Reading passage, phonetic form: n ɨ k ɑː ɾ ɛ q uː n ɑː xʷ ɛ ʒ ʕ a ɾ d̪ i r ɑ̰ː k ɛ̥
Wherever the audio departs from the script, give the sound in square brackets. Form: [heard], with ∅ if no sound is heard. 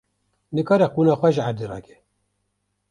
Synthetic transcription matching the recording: n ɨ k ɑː ɾ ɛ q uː n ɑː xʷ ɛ ʒ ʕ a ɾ d̪ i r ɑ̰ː k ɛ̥